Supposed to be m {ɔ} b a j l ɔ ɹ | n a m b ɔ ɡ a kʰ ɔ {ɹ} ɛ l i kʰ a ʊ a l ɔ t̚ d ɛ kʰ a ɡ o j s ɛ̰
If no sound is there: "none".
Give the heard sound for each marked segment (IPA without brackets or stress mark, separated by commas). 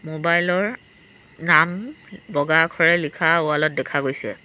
o, ɹ